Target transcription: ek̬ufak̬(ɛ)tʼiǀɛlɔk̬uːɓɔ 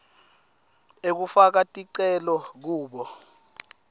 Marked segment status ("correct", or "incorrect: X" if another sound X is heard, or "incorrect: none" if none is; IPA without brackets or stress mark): incorrect: a